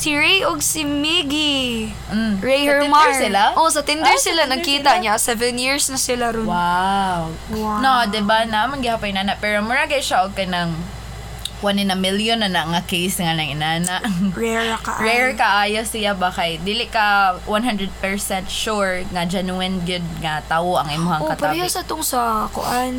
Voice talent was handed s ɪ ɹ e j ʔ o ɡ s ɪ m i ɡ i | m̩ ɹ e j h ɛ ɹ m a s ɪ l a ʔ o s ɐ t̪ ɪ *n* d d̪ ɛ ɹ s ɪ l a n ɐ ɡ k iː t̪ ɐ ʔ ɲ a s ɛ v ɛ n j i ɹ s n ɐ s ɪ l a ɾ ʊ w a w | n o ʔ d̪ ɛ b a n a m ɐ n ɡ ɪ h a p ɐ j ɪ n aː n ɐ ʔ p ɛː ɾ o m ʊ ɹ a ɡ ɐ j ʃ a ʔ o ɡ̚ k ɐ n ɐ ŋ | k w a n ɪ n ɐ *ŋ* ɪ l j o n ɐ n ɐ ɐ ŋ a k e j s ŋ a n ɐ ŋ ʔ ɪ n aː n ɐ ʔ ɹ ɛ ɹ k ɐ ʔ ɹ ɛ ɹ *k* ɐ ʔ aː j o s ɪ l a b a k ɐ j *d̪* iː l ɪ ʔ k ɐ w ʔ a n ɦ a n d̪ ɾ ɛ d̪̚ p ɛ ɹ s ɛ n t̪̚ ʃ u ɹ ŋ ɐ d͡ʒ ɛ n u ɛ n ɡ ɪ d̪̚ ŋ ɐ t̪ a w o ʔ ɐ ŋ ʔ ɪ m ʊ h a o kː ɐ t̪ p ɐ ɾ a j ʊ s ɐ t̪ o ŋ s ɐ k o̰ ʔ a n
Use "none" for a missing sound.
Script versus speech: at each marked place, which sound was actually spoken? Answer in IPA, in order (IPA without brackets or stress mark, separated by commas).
n, m, k, d̪